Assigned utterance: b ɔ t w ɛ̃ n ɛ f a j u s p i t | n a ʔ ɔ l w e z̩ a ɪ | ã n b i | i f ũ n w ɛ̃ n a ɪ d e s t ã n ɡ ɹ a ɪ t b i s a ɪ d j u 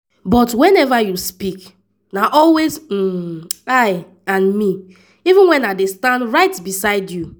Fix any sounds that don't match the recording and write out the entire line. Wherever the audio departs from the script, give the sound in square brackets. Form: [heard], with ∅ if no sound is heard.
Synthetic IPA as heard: b ɔ t w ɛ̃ n ɛ [v] a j u s p i [k] | n a ʔ ɔ l w e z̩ a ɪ | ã n [m] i | i [v] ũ n w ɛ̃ n a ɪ d e s t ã n [d] ɹ a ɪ t b i s a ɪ d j u